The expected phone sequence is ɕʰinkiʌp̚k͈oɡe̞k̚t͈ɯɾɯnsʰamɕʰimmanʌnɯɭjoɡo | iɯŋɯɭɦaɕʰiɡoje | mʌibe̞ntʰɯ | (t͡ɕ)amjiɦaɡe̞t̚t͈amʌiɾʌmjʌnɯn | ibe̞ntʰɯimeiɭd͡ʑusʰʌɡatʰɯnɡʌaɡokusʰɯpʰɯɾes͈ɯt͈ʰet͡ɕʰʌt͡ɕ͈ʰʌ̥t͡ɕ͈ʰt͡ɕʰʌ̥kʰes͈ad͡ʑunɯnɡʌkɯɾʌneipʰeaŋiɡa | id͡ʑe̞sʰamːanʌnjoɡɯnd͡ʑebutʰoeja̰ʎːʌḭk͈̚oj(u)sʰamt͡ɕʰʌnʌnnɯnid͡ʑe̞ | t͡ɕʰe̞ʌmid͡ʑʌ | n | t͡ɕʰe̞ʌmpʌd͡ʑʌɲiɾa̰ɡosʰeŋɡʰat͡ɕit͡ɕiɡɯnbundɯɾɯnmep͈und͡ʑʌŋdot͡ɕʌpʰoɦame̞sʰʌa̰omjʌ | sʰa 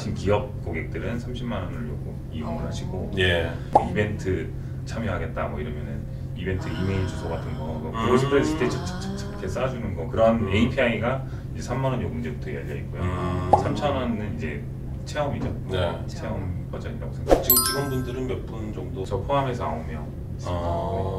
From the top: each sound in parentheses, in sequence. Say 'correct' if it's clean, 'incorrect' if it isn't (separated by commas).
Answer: incorrect, incorrect